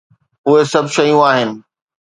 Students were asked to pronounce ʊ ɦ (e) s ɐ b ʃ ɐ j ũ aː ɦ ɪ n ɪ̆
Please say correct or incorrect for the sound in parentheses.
correct